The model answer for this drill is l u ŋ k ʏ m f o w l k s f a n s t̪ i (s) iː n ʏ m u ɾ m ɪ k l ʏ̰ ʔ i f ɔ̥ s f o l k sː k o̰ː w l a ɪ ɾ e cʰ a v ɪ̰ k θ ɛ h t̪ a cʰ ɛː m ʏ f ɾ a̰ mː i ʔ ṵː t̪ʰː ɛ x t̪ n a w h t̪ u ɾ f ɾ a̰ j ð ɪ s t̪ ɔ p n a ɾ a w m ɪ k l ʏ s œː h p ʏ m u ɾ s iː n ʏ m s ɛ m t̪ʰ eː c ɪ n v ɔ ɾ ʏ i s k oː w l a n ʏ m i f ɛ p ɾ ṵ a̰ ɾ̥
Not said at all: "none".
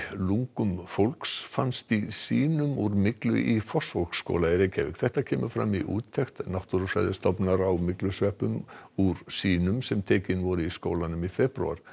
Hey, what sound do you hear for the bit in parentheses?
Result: s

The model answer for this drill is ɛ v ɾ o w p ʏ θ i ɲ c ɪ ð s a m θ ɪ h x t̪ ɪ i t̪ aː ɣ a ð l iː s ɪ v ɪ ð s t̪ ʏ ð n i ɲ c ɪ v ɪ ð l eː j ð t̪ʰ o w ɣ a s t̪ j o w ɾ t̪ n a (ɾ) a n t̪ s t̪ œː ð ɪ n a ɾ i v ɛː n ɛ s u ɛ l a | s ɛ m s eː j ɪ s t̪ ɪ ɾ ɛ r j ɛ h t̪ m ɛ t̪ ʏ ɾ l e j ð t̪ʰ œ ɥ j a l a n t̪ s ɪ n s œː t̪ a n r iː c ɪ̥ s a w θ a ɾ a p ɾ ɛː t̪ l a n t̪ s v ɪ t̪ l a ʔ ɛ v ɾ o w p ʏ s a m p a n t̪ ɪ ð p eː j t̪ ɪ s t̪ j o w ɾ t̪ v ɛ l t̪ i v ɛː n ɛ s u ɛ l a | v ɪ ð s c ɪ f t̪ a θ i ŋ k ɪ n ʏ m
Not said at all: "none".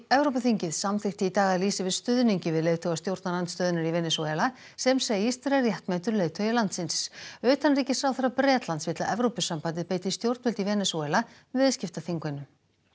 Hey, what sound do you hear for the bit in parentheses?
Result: l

